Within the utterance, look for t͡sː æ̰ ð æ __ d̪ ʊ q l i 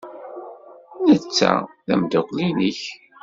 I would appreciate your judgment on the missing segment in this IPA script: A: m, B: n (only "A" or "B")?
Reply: A